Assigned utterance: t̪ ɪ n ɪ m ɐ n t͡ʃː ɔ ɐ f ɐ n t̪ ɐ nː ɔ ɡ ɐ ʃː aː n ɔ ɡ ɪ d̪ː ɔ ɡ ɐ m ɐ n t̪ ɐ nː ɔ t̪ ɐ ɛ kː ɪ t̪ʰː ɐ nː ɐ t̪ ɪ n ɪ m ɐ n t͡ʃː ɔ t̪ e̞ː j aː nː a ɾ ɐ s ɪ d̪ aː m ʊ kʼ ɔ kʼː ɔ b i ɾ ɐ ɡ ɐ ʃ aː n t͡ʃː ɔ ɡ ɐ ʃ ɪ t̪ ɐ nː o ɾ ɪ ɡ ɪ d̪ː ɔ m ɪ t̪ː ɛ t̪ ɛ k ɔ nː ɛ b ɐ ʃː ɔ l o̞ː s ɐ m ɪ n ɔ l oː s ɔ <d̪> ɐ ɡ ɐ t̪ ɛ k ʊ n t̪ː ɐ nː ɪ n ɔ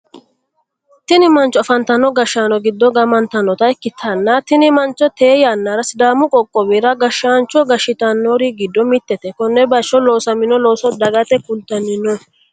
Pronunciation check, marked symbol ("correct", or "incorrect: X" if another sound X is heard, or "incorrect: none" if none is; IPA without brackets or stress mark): correct